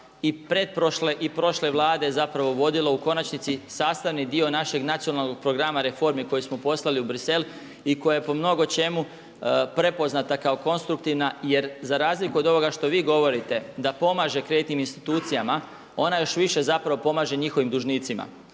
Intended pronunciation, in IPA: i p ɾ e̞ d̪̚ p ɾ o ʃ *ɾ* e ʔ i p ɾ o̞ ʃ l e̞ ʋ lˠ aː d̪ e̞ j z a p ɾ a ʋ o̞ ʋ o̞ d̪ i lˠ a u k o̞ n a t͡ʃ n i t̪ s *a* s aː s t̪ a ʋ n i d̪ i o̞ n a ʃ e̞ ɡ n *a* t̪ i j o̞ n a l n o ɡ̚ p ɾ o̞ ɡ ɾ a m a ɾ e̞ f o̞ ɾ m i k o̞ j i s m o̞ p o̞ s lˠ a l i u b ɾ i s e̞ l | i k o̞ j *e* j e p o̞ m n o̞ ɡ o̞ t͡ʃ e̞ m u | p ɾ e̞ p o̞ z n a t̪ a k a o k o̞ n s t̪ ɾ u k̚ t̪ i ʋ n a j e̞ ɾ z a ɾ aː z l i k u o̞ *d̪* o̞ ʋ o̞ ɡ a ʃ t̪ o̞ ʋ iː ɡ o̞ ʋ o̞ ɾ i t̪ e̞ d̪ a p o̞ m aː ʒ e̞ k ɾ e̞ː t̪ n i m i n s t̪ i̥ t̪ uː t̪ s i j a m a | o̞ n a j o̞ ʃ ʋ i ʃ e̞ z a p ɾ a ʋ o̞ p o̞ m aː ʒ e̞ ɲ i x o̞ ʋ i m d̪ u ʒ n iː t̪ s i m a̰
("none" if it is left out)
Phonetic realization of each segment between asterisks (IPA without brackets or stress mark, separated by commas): l, i, a, a, d̪